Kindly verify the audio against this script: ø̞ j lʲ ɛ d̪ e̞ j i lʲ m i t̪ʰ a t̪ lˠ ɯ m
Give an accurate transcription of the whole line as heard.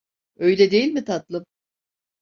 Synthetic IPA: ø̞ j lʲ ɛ d̪ e̞ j i lʲ m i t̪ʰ a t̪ lˠ ɯ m